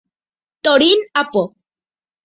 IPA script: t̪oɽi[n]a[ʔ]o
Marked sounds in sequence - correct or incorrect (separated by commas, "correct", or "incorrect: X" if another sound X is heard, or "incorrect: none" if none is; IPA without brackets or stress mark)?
correct, incorrect: p